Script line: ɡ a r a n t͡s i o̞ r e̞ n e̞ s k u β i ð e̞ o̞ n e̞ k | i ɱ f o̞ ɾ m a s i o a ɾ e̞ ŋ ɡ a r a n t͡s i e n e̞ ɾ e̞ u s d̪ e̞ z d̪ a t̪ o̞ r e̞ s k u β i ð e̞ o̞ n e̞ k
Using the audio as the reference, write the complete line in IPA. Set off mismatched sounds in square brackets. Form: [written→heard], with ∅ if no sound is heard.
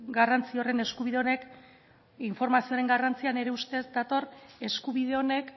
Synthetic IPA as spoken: ɡ a r a n t͡s i o̞ r e̞ n e̞ s k u β i ð e̞ o̞ n e̞ k | i ɱ f o̞ ɾ m a s i o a ɾ e̞ ŋ ɡ a r a n t͡s i [e→a] n e̞ ɾ e̞ u s [d̪→t̪] e̞ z d̪ a t̪ o̞ r e̞ s k u β i ð e̞ o̞ n e̞ k